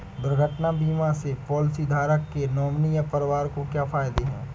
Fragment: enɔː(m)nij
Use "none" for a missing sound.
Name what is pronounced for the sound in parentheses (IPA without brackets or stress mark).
m